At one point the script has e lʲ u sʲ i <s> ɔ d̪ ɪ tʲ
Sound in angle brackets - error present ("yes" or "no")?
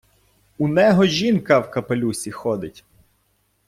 yes